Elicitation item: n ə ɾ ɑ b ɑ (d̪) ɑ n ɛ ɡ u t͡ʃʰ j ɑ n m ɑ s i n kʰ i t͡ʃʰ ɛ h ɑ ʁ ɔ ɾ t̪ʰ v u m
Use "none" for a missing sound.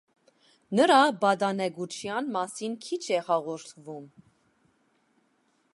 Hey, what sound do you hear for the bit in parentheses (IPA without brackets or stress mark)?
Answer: d̪